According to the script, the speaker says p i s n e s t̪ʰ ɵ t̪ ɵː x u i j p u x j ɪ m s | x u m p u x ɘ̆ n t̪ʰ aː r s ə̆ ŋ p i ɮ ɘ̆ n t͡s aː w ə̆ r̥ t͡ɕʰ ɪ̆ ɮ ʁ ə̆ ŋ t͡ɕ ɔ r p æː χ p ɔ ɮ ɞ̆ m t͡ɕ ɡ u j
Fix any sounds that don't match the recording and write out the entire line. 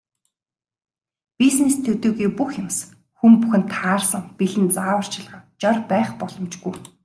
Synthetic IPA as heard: p i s n e s t̪ʰ ɵ t̪ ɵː ɣ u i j p u x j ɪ m s | x u m p u x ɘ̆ n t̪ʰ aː r s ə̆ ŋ p i ɮ ɘ̆ n t͡s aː w ə̆ r̥ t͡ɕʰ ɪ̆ ɮ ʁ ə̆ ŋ t͡ɕ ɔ r p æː χ p ɔ ɮ ɞ̆ m t͡ɕ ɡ u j